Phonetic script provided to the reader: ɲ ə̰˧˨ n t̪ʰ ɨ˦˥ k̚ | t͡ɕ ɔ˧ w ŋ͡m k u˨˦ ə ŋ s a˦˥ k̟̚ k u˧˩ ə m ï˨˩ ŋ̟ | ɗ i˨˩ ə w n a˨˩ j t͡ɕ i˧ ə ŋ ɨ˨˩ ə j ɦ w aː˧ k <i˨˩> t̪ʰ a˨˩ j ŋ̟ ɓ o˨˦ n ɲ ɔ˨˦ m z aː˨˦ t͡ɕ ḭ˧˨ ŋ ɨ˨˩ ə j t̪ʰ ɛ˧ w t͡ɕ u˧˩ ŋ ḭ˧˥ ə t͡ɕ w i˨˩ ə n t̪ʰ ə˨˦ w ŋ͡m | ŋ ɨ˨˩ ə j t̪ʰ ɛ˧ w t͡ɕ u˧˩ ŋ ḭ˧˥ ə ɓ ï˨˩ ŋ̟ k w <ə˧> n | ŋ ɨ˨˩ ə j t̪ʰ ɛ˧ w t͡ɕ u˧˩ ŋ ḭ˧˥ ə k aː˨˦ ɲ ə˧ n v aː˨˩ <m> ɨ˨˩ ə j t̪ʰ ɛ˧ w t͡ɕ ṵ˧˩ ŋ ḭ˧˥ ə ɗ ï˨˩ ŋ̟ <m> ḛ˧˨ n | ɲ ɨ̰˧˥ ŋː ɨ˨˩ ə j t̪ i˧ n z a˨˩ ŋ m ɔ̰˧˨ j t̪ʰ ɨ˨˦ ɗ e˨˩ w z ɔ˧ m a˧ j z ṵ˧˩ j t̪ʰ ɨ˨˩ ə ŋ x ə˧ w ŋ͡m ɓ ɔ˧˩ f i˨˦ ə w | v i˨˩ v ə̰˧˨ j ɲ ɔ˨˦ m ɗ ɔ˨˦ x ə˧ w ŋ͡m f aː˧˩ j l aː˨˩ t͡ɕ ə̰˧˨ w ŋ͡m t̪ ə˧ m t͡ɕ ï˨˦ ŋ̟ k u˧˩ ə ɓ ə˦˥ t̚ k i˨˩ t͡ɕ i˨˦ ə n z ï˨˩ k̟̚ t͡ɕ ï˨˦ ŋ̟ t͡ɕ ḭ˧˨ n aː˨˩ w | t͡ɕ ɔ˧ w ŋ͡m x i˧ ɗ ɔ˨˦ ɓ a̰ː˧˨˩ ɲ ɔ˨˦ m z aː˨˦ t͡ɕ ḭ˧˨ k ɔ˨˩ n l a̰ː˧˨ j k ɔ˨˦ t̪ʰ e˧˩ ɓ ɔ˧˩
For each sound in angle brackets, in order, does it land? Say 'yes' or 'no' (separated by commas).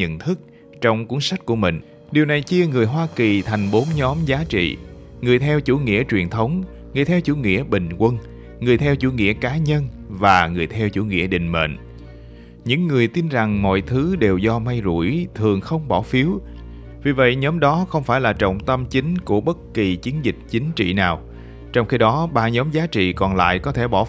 yes, yes, no, yes